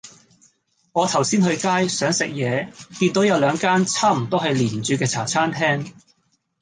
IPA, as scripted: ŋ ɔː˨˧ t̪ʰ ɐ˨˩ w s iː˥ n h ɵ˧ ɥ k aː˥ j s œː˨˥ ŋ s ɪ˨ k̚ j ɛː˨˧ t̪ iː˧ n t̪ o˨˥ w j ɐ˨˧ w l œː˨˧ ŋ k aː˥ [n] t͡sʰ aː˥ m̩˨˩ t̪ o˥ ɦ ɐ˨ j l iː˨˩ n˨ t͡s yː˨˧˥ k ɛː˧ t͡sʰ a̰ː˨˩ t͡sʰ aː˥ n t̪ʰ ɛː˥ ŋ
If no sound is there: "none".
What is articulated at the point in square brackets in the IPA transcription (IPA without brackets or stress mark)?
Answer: n